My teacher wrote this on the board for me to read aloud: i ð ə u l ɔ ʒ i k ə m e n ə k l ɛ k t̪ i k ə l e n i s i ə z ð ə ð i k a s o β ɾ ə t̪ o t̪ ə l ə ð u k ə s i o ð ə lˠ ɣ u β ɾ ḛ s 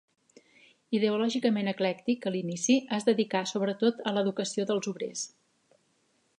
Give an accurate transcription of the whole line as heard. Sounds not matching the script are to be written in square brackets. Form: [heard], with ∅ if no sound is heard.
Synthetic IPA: i ð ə u l ɔ ʒ i k ə m e n ə k l ɛ k t̪ i k ə l [i] n i s i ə z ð ə ð i k a s o β ɾ ə t̪ o t̪ ə l ə ð u k ə s i o ð ə lˠ [z] u β ɾ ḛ s